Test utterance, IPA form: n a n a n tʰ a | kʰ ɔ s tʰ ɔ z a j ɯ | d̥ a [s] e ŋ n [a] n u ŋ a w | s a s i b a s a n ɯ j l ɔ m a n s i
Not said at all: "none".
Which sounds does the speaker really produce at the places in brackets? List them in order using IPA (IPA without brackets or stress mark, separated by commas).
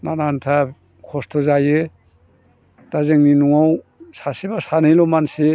z, i